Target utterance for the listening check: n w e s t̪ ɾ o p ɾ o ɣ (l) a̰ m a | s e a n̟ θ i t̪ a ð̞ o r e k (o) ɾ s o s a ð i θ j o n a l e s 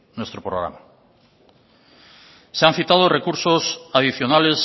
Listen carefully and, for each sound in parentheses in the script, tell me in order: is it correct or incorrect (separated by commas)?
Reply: incorrect, incorrect